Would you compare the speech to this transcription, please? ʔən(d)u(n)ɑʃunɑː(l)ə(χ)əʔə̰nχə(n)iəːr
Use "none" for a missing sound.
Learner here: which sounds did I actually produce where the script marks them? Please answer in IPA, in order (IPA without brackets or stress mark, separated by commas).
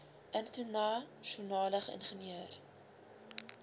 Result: t, n, l, χ, n